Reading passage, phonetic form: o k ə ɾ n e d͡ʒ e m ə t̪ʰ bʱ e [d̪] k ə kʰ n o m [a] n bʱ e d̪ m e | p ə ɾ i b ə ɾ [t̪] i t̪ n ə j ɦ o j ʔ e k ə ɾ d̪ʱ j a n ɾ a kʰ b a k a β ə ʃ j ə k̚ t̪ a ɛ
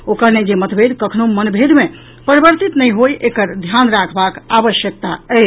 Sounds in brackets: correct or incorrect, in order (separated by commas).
correct, incorrect, correct